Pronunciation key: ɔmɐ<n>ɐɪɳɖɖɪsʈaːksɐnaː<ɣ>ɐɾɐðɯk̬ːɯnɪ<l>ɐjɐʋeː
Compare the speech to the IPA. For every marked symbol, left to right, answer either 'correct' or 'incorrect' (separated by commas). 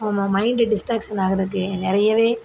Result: incorrect, correct, incorrect